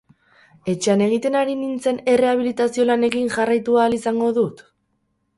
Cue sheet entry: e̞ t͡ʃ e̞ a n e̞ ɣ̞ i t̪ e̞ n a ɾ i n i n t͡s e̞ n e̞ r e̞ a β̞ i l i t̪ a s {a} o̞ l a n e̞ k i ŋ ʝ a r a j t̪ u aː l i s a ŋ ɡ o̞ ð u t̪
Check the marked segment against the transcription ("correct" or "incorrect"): incorrect